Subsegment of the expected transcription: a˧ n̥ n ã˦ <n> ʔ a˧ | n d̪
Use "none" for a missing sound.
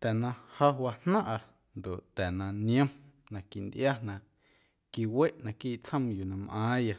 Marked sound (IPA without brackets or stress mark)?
none